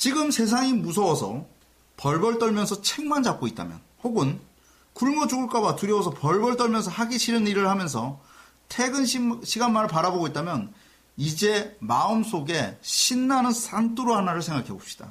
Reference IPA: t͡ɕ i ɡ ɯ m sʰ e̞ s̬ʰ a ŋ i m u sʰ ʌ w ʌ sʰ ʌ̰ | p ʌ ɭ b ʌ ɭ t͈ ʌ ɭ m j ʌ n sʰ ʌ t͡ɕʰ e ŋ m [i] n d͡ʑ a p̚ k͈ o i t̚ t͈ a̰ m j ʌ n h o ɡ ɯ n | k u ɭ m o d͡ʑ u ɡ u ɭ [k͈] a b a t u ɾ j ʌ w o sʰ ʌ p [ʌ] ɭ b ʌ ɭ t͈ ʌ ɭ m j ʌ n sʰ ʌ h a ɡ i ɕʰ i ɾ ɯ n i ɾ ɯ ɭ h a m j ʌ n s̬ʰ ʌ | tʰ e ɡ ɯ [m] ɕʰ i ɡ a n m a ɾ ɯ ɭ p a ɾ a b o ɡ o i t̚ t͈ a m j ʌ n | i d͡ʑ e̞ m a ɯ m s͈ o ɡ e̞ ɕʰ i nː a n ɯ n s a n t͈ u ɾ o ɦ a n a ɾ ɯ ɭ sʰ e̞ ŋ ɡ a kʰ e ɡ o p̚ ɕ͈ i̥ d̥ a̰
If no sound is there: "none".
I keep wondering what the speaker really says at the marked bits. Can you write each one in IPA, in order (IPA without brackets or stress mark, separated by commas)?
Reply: a, k͈, ʌ, n